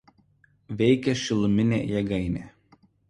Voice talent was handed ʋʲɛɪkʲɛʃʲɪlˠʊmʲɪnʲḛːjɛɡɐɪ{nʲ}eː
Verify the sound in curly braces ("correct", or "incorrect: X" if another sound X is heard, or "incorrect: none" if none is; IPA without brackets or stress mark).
correct